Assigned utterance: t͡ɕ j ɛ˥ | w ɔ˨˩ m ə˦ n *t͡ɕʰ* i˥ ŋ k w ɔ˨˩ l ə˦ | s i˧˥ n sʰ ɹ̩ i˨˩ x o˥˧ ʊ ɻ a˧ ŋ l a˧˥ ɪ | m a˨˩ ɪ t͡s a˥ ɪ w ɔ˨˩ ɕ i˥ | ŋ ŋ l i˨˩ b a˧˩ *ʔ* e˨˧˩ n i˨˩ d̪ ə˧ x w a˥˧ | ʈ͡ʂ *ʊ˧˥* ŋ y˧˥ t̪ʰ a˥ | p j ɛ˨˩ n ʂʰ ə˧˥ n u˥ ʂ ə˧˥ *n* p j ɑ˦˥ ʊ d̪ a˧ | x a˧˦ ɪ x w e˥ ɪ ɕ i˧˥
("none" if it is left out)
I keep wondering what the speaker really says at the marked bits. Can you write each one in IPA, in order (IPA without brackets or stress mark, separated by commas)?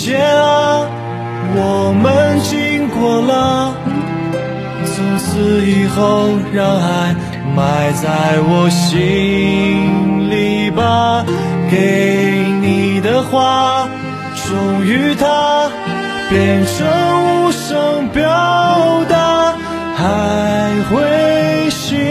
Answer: t͡ɕ, k, ʊ˨˩, ŋ